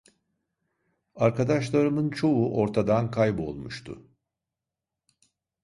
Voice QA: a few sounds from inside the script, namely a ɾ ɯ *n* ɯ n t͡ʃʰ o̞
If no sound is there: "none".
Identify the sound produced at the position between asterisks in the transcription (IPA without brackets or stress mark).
m